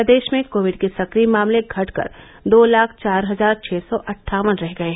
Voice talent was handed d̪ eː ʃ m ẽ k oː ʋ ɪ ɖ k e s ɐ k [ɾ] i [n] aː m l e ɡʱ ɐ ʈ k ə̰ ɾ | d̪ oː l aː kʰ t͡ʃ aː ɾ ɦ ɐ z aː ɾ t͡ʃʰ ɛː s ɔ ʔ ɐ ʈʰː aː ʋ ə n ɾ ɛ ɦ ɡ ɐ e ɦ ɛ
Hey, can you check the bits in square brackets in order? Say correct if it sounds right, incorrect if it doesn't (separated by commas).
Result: correct, incorrect